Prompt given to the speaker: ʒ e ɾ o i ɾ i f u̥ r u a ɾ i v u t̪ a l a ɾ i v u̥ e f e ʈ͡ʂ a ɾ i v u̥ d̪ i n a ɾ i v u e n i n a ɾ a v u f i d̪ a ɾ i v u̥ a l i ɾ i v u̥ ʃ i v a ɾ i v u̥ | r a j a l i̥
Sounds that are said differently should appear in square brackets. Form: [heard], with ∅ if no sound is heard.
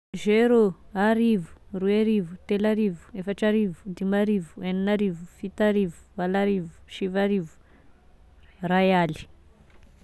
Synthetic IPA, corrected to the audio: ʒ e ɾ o [a] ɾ i [v] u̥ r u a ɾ i v u t̪ [e] l a ɾ i v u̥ e f [a] ʈ͡ʂ a ɾ i v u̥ d̪ i [m] a ɾ i v u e n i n a ɾ [i] v u f i [t̪] a ɾ i v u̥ a l [a] ɾ i v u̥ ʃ i v a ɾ i v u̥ | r a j a l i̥